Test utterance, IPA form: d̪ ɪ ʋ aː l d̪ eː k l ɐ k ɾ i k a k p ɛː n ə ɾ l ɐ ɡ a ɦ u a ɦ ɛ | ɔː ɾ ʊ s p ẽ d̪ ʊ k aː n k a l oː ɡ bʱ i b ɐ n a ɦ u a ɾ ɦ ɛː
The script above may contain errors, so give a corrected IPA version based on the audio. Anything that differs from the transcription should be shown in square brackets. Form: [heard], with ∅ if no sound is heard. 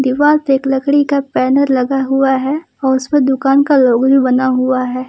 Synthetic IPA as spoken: d̪ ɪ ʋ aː l [t̪] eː k l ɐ k [ɽ] i k a [∅] p ɛː n ə ɾ l ɐ ɡ a ɦ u a ɦ ɛ | ɔː ɾ ʊ s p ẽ d̪ ʊ k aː n k a l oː ɡ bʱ i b ɐ n a ɦ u a [∅] ɦ ɛː